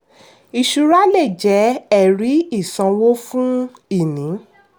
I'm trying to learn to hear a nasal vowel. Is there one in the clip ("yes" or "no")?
yes